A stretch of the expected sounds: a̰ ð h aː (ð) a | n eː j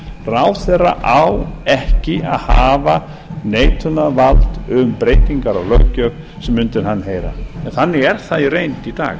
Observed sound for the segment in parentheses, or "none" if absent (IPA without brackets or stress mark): v